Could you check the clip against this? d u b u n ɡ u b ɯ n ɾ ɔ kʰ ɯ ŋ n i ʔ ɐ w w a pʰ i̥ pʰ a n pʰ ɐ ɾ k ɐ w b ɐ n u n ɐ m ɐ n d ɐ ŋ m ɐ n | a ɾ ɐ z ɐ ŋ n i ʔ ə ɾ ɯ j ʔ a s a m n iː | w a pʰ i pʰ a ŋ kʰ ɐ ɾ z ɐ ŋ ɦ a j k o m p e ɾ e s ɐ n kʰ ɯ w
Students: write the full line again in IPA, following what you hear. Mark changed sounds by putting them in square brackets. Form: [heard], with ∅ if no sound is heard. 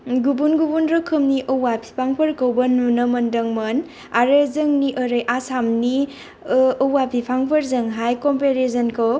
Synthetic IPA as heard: [ɡ] u b u n ɡ u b [u] n ɾ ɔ kʰ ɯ [m] n i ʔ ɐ w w a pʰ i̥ pʰ a [ŋ] pʰ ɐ ɾ k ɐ w b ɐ n u n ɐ m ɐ n d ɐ ŋ m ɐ n | a ɾ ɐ z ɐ ŋ n i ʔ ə ɾ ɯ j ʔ a s a m n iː | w a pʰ i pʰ a ŋ [pʰ] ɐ ɾ z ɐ ŋ ɦ a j k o m p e ɾ e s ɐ n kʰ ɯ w